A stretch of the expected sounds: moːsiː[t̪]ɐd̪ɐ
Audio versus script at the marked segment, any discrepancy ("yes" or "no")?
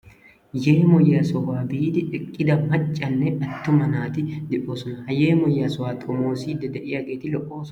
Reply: yes